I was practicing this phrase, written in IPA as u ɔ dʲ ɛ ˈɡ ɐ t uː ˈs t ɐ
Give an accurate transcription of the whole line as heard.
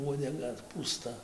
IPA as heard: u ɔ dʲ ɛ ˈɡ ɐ p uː ˈs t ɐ